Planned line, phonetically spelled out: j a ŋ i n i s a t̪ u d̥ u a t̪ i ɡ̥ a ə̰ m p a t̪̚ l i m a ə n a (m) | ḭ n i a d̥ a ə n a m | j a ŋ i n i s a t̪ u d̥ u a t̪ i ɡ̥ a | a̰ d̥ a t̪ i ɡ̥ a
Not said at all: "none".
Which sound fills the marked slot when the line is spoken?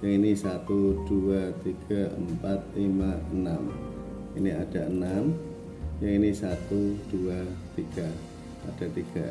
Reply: m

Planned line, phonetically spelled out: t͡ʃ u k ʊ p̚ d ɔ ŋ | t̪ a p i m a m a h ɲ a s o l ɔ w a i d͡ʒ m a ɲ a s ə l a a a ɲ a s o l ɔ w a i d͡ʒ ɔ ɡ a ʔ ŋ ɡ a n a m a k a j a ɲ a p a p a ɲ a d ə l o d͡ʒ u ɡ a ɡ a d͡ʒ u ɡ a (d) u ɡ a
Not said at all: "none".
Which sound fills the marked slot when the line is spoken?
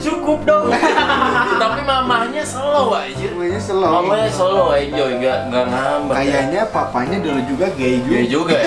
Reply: d͡ʒ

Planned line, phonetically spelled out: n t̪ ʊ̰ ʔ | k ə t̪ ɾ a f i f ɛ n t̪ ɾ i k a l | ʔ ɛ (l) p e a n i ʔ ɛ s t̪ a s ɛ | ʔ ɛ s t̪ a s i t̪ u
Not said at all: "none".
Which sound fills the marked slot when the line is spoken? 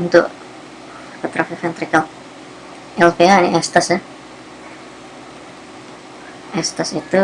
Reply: l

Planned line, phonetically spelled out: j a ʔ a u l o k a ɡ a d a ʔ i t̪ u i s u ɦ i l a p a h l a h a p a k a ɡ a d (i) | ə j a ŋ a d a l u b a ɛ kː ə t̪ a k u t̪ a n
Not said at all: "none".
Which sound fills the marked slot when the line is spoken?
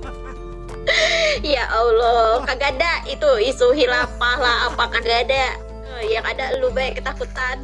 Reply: a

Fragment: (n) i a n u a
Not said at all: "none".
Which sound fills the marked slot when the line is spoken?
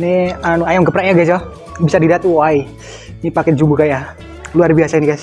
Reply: n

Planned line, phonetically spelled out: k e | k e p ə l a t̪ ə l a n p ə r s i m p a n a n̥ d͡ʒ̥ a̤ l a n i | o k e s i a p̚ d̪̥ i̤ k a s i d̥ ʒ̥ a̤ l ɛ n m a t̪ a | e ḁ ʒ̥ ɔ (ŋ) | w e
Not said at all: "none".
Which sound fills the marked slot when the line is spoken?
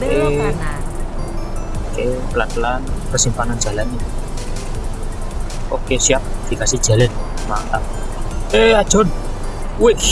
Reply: n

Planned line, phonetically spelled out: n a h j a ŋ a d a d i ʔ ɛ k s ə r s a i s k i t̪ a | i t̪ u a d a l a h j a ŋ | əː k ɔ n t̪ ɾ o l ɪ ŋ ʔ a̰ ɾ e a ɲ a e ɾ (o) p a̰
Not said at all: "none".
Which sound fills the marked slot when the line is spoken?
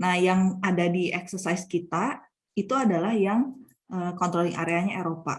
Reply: o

